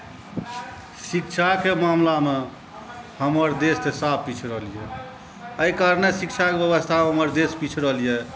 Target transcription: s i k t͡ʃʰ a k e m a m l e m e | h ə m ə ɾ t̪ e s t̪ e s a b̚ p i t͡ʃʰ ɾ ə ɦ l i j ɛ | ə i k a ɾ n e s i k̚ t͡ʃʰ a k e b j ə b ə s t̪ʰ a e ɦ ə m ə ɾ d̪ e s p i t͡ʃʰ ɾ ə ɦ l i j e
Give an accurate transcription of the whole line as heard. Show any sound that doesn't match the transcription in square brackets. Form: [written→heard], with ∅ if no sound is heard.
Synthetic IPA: s i k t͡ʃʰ a k e m a m l [e→a] m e | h ə m ə ɾ [t̪→d̪] e s t̪ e s a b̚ p i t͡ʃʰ ɾ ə ɦ l i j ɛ | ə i k a ɾ n e s i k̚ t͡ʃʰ a k e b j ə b ə s t̪ʰ a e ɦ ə m ə ɾ d̪ e s p i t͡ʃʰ ɾ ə ɦ l i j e